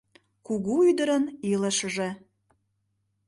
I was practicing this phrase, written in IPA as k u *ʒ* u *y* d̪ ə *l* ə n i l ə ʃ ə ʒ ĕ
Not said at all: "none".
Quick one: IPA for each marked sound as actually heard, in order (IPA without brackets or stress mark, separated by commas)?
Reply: ɣ, y, ɾ